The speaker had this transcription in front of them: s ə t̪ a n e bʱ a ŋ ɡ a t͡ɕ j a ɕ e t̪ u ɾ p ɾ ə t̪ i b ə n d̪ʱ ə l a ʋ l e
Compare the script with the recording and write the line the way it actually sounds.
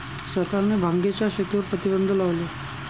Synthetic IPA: s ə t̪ a n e bʱ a ŋ ɡ e t͡ɕ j a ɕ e t̪ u ɾ p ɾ ə t̪ i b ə n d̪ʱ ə l a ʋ l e